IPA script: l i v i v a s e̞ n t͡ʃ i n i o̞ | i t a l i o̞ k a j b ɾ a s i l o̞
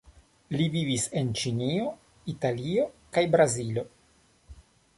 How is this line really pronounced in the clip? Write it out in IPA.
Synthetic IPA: l i v i v i s e̞ n t͡ʃ i n i o̞ | i t a l i o̞ k a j b ɾ a z i l o̞